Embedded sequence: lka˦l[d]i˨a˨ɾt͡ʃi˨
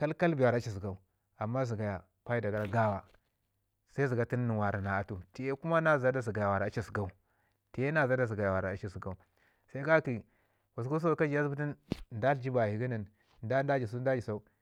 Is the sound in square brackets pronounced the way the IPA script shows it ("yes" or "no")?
no